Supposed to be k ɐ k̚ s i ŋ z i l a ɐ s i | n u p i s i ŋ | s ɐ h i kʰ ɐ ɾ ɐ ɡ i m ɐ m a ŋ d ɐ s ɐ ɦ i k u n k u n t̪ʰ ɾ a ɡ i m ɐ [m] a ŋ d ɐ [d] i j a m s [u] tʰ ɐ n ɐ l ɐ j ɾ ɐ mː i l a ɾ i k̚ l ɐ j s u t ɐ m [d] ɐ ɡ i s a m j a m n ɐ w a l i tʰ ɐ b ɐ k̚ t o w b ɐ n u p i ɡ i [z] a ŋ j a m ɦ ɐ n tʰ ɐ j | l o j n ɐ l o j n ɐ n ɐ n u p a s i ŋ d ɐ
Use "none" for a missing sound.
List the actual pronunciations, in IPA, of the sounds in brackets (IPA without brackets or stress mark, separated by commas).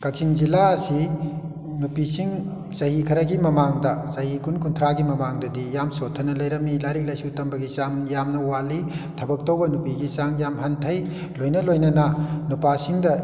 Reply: m, d, o, b, s